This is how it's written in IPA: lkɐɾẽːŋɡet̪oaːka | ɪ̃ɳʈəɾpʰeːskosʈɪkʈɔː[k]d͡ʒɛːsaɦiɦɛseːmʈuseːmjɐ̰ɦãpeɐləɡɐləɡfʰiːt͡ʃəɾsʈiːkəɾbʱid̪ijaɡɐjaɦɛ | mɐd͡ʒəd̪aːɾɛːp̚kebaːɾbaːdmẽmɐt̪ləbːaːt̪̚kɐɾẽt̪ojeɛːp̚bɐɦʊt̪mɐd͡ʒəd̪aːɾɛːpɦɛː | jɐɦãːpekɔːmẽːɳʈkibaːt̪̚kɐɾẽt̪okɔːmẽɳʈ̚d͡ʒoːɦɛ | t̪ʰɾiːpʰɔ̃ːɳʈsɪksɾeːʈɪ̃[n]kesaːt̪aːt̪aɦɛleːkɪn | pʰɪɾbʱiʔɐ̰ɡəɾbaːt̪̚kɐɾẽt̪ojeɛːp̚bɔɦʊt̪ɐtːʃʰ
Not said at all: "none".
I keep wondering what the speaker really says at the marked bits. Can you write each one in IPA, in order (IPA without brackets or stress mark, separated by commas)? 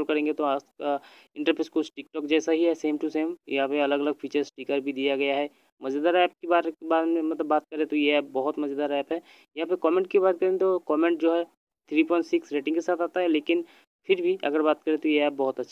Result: k, ŋ